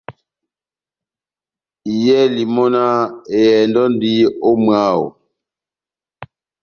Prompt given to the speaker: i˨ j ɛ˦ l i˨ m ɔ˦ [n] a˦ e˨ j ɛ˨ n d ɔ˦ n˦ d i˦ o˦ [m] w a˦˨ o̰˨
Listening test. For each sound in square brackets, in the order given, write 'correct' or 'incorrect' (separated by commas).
correct, correct